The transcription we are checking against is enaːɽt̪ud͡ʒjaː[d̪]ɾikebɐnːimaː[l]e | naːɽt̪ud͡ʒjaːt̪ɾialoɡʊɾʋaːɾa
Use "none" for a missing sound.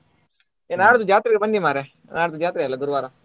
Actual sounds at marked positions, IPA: t̪, ɾ

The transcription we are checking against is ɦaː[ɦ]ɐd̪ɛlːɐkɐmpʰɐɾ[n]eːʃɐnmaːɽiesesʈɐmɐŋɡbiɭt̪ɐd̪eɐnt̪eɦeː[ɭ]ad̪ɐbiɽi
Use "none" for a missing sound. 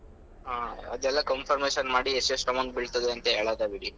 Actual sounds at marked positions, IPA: none, m, ɭ

